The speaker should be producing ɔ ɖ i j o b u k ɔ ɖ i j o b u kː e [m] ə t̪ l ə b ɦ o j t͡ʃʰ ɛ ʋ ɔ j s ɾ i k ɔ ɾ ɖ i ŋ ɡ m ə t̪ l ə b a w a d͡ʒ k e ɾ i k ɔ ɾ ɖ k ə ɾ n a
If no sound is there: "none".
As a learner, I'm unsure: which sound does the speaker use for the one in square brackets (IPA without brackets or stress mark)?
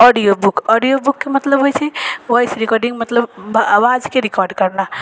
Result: m